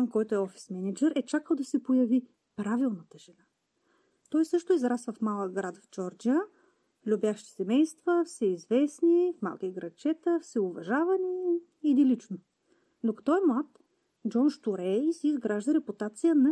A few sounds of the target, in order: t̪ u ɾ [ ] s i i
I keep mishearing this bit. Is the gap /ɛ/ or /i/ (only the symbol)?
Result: ɛ